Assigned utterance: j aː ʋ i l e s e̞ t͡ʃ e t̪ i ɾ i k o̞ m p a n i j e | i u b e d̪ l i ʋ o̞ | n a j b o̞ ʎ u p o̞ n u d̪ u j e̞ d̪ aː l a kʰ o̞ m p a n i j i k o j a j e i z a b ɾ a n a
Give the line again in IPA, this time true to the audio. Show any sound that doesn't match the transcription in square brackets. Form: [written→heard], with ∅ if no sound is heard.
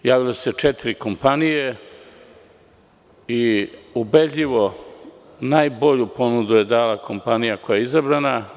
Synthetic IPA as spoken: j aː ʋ i l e s e̞ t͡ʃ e t̪ i ɾ i k o̞ m p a n i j e | i u b e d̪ [l→ʎ] i ʋ o̞ | n a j b o̞ ʎ u p o̞ n u d̪ u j e̞ d̪ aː l a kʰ o̞ m p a n i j [i→a] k o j a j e i z a b ɾ a n a